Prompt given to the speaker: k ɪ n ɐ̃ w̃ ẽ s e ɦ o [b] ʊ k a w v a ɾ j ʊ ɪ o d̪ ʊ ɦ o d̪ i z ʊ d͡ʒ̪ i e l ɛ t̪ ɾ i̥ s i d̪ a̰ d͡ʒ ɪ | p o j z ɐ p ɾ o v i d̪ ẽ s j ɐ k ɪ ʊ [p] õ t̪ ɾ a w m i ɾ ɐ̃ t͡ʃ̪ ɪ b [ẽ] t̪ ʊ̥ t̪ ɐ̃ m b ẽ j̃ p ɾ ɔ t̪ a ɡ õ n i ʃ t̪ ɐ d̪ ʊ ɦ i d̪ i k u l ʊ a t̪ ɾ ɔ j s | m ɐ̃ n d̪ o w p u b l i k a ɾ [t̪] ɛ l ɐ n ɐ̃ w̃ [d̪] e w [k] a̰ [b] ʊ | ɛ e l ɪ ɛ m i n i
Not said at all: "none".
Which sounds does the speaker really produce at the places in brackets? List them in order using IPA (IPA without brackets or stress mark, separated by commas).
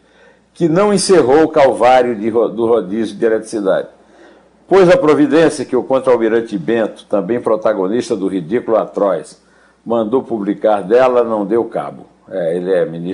w, k, ẽ, d̪, d̪, k, b